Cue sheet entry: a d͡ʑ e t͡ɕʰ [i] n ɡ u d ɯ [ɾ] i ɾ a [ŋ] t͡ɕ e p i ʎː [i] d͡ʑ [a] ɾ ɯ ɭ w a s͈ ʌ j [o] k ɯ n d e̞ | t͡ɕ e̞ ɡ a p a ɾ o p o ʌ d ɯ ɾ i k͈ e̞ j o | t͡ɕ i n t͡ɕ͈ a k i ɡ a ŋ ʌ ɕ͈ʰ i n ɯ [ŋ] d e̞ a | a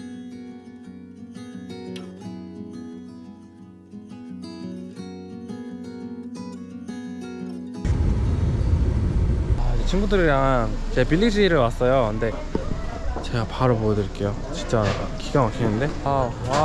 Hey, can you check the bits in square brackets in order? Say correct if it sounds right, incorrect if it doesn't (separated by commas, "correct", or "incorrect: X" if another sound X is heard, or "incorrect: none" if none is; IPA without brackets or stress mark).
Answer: correct, correct, correct, correct, incorrect: i, correct, incorrect: n